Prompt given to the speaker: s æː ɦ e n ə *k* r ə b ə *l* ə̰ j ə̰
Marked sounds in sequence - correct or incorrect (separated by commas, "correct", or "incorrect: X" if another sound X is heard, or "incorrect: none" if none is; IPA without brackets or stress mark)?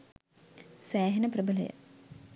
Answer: incorrect: p, correct